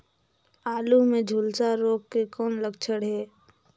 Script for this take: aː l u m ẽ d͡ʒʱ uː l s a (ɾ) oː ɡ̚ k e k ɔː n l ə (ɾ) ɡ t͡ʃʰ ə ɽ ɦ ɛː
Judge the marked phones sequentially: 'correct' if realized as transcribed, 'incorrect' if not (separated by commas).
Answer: correct, incorrect